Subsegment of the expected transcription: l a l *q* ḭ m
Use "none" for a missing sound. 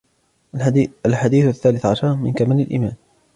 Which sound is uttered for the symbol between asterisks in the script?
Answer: ʔ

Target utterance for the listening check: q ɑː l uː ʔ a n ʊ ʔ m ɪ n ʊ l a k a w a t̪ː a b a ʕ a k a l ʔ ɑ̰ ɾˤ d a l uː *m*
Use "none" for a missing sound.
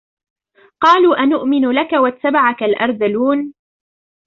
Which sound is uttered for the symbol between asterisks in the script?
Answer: n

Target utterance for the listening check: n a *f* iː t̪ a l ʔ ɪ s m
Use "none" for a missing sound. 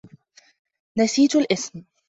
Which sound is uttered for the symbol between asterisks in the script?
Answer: s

